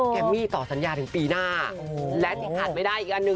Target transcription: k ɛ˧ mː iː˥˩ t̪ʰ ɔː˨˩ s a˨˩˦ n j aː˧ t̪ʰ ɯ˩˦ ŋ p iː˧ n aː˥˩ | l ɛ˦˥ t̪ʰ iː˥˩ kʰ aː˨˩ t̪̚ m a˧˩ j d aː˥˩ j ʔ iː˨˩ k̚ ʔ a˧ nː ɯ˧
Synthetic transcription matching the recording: k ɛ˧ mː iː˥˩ t̪ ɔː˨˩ s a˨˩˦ n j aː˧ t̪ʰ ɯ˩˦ ŋ p iː˧ n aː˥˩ | l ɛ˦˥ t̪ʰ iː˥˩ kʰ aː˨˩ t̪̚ m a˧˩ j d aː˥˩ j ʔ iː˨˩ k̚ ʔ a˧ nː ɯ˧